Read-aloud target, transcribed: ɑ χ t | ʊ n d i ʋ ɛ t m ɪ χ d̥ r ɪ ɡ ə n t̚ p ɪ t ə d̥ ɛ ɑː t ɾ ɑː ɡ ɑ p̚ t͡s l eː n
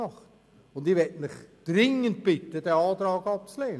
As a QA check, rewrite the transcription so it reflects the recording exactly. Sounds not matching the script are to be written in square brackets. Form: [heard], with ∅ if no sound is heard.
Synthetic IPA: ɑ χ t | ʊ n d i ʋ ɛ t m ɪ χ d̥ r ɪ [ŋ] ə n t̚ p ɪ t ə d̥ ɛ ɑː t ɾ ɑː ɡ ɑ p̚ t͡s l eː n